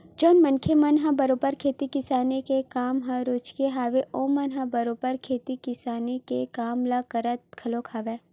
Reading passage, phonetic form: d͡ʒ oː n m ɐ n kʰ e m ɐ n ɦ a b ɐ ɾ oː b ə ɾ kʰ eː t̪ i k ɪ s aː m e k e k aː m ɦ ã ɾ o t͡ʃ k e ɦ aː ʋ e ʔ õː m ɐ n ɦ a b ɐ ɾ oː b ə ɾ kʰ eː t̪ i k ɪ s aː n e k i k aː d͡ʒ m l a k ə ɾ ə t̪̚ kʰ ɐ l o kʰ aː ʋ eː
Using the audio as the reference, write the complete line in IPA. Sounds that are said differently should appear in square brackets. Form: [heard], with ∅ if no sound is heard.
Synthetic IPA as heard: d͡ʒ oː n m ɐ n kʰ e m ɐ n ɦ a b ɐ ɾ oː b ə ɾ kʰ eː t̪ i k ɪ s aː [n] e k e k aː m ɦ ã ɾ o t͡ʃ k e ɦ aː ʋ e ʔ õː m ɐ n ɦ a b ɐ ɾ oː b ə ɾ kʰ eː t̪ i k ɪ s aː n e k [e] k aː [∅] m l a k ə ɾ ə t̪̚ kʰ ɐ l o kʰ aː ʋ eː